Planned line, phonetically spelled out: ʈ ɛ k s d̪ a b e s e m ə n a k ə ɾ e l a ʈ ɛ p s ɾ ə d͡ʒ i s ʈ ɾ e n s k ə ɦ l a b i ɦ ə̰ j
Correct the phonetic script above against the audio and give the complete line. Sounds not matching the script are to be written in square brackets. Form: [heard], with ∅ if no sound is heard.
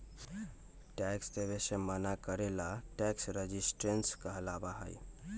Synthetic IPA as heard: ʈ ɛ k s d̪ [e] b e s e m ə n a k ə ɾ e l a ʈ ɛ [k] s ɾ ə d͡ʒ i s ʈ ɾ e n s k ə ɦ l a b [a] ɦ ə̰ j